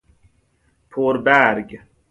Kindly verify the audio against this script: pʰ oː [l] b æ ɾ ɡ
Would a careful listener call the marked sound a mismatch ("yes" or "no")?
yes